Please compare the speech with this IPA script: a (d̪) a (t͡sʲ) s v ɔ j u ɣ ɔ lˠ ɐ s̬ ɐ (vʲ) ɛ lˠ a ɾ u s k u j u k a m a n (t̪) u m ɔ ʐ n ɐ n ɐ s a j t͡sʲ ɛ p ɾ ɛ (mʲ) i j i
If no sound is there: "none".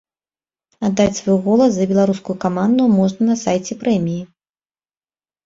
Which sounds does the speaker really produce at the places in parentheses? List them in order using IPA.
d̪ː, t͡sʲ, bʲ, d̪, mʲ

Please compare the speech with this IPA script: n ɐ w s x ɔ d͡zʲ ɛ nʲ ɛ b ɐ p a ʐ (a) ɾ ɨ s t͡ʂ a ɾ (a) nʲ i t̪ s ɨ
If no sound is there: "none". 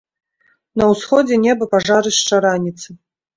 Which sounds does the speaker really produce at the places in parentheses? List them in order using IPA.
a, a

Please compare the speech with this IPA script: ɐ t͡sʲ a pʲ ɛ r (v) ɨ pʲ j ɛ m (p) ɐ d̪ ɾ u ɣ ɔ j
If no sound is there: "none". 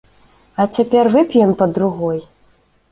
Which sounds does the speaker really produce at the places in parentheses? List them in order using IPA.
v, p

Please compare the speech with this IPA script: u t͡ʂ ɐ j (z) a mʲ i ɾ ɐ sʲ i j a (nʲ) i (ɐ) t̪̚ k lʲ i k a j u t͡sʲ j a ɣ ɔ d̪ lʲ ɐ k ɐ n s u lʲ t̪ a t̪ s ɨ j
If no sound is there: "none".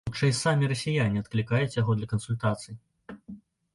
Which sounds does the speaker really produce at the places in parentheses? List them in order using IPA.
s, nʲ, ɐ

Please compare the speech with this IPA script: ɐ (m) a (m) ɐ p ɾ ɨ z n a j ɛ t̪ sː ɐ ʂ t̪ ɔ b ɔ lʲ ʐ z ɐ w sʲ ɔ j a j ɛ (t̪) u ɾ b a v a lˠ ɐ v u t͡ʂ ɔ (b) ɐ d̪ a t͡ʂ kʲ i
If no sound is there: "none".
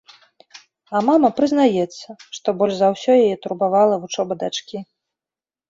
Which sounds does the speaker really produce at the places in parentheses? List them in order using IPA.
m, m, t̪, b

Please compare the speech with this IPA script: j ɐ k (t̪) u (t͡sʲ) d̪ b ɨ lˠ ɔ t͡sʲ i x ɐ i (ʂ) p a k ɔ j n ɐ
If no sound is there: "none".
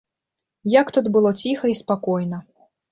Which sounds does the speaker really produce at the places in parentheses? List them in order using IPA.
t̪, none, s

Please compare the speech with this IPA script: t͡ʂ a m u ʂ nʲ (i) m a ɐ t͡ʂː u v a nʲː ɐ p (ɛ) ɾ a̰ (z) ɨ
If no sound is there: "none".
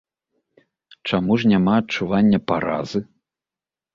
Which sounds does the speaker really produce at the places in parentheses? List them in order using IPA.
a, a, z

